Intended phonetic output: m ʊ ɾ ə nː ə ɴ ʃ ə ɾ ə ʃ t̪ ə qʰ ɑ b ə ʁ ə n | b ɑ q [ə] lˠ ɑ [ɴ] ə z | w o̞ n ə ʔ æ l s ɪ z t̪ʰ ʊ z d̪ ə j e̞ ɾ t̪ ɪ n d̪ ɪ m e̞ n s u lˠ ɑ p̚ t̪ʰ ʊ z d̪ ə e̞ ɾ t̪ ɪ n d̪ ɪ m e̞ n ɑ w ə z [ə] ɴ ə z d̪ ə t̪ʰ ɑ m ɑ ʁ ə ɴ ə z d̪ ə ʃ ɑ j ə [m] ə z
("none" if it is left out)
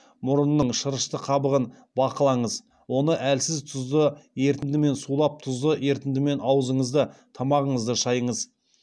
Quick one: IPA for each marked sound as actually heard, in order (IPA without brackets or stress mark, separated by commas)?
ə, ɴ, ə, ɴ